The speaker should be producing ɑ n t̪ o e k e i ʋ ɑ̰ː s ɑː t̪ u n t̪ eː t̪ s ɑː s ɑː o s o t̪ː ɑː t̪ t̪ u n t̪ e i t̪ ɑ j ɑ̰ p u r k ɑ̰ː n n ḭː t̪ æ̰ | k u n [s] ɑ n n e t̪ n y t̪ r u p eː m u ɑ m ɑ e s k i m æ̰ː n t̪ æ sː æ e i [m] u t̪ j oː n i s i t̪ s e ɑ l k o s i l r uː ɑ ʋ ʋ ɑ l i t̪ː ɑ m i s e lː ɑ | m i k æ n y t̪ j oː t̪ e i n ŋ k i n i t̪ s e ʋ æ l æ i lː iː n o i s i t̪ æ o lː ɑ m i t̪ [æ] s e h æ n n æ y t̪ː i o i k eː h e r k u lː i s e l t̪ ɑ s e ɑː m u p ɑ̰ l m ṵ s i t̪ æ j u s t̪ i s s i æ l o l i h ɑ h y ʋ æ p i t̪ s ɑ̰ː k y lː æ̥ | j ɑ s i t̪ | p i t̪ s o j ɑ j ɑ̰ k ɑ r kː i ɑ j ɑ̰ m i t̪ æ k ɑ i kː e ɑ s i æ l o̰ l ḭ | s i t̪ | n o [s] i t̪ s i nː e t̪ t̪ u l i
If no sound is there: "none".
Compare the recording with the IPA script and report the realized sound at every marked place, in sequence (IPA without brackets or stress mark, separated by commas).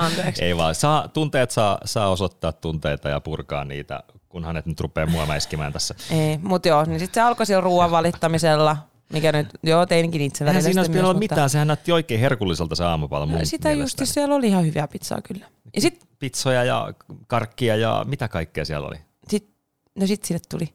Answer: h, m, æː, s